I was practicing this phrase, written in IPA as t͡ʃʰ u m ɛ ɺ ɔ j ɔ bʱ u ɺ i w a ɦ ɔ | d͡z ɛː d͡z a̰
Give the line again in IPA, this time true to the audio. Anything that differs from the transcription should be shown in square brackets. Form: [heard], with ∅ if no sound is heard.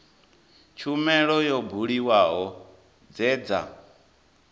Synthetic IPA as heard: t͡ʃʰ u m ɛ ɺ ɔ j ɔ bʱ u ɺ i w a ɦ ɔ | d͡z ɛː d͡z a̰